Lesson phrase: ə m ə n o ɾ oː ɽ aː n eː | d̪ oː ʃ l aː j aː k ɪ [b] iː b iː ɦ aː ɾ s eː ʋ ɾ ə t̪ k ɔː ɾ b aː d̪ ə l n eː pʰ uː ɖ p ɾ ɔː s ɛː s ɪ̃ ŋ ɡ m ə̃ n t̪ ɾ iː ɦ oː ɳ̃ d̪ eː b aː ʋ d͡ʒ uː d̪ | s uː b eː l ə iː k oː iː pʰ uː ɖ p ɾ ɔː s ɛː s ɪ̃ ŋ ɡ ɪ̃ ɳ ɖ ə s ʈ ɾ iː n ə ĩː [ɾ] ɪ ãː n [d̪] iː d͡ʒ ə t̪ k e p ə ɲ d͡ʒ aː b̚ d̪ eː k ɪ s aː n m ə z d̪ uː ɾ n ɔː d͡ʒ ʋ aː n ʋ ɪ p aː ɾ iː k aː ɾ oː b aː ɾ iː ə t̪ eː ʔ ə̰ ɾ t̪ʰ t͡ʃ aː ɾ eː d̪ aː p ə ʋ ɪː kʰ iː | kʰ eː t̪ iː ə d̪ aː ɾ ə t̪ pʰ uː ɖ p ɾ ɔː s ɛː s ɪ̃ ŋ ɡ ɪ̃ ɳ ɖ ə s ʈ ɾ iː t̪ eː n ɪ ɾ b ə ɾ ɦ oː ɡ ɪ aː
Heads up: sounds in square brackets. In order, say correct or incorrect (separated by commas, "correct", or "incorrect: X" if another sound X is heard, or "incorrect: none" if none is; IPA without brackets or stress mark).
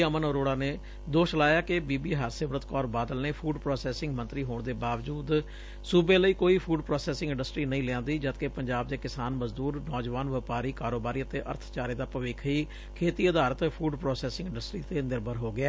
correct, incorrect: l, correct